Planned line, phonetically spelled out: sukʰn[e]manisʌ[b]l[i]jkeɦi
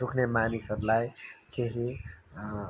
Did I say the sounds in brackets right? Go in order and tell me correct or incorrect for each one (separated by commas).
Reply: correct, correct, incorrect